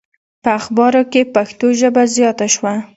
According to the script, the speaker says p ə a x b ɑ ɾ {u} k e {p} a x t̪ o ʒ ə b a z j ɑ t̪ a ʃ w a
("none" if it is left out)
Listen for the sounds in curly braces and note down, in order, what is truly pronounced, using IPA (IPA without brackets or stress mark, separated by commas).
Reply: o, p